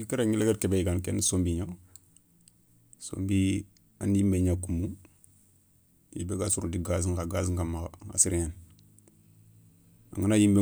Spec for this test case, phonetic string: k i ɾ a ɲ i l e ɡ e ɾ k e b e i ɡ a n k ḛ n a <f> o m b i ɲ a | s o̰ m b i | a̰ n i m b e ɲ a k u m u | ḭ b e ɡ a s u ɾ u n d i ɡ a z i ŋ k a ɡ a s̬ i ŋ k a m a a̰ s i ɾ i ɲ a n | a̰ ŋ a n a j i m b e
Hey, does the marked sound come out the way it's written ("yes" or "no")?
no